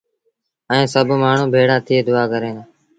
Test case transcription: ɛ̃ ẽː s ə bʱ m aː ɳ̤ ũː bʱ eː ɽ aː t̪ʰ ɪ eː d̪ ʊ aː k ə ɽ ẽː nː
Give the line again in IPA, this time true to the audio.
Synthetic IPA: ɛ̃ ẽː s ə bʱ m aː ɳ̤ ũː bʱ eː ɽ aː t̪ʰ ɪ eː d̪ ʊ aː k ə ɾ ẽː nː

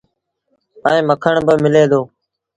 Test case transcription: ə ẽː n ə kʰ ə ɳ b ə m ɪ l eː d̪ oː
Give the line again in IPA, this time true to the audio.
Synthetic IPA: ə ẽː m ə kʰ ə ɳ b ə m ɪ l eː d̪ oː

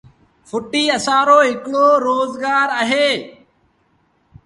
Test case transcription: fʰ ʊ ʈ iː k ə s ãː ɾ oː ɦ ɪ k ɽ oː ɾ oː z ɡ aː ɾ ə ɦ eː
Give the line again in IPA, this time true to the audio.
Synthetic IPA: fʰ ʊ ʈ iː ə s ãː ɾ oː ɦ ɪ k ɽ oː ɾ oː z ɡ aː ɾ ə ɦ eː

